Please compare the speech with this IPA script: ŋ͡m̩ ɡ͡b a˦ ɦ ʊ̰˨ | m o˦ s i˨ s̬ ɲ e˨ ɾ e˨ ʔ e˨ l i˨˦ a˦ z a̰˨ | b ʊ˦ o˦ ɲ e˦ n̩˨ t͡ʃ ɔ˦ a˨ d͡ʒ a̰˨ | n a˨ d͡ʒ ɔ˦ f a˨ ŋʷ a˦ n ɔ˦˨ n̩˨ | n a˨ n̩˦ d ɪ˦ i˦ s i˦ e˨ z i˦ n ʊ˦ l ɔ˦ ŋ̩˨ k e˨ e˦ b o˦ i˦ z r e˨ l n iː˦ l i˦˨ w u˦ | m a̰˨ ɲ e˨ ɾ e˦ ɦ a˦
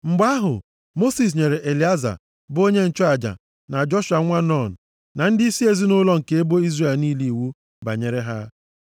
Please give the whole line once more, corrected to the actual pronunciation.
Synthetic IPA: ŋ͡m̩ ɡ͡b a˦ ɦ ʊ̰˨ | m o˦ s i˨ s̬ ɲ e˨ ɾ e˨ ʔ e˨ l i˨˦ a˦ z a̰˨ | b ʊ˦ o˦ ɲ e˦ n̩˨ t͡ʃ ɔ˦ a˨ d͡ʒ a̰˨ | n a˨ d͡ʒ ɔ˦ ʃ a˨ ŋʷ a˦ n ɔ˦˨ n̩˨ | n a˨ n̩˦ d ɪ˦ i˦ s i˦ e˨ z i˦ n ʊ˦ l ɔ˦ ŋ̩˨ k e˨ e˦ b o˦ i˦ z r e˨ l n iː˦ l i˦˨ w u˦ | b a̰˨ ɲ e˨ ɾ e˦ ɦ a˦